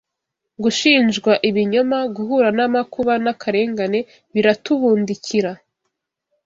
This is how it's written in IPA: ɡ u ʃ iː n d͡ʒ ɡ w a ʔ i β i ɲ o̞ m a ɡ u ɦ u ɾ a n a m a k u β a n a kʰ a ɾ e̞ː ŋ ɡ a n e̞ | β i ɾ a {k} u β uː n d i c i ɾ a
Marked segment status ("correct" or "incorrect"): incorrect